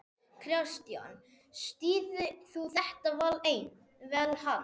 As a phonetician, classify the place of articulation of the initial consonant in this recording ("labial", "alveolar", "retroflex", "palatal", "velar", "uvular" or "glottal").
velar